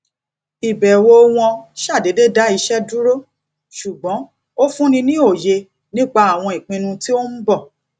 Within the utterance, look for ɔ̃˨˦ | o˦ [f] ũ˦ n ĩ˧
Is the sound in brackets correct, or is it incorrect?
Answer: correct